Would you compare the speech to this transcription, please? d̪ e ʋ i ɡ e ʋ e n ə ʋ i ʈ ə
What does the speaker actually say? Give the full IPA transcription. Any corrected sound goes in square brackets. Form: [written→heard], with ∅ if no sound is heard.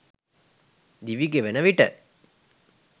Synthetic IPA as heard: d̪ [e→i] ʋ i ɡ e ʋ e n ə ʋ i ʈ ə